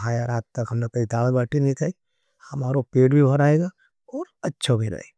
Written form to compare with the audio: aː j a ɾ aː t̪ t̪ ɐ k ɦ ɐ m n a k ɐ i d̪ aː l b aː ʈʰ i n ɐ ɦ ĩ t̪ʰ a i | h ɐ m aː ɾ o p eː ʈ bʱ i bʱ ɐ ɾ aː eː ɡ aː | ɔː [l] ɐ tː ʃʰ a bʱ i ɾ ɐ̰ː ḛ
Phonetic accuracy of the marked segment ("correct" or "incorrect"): incorrect